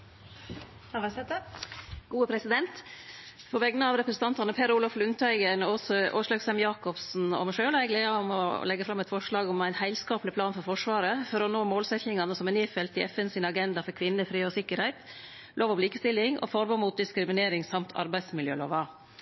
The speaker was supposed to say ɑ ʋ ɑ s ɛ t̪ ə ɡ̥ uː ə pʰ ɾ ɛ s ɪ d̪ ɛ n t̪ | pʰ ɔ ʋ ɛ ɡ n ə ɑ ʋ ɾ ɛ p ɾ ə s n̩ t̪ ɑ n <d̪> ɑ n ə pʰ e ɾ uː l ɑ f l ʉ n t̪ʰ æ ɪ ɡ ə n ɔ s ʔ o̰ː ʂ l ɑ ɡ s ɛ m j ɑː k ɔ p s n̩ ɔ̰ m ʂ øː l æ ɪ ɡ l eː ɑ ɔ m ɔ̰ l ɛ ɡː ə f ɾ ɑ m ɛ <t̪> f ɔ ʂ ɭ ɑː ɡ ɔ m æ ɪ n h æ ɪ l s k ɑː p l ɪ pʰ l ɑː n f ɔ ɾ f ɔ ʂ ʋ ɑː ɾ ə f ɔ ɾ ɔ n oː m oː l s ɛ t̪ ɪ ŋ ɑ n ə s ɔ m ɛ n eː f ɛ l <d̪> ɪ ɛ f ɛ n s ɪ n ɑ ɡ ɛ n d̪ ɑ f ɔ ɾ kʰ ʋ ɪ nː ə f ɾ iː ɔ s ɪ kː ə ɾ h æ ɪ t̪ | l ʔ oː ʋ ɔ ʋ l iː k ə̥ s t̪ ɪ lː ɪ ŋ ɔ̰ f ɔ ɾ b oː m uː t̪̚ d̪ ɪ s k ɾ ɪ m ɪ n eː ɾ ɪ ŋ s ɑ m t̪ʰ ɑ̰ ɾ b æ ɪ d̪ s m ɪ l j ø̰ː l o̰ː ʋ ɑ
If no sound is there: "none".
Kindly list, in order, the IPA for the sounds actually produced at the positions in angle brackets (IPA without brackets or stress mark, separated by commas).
t̪, t̪, t̪